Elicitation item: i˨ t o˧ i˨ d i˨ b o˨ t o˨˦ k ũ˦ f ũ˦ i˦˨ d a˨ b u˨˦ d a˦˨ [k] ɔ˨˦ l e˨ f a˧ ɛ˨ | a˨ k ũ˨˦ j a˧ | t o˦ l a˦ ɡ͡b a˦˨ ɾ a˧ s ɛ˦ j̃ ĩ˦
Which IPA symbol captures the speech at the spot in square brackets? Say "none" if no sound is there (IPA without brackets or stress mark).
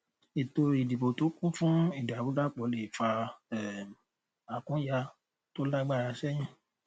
k͡p